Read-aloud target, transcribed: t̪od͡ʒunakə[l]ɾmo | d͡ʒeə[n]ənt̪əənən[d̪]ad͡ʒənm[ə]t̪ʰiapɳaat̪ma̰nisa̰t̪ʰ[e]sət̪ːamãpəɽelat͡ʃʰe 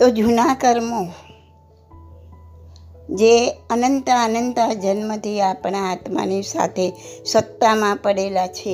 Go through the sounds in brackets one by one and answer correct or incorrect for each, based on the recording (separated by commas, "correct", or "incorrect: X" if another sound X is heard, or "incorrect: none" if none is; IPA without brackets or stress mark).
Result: incorrect: none, correct, incorrect: t̪, correct, correct